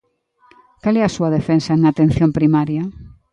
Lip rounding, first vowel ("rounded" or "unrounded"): unrounded